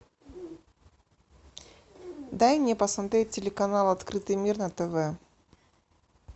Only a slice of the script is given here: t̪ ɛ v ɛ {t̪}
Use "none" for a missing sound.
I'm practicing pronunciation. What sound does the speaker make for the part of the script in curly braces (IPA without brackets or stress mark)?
none